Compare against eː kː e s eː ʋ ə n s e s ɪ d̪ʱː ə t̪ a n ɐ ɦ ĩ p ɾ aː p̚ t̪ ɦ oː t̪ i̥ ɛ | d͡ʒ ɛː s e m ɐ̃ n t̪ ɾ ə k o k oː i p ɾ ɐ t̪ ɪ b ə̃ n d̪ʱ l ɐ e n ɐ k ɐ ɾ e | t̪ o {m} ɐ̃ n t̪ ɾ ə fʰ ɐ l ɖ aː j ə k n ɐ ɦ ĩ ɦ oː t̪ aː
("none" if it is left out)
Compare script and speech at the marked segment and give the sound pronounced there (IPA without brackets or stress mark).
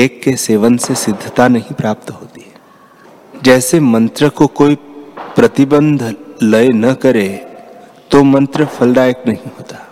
m